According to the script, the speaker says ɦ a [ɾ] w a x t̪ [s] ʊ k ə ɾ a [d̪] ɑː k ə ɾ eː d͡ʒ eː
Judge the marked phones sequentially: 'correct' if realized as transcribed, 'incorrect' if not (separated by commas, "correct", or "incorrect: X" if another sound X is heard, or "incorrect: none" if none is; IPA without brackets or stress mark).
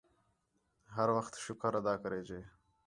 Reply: correct, incorrect: ʃ, correct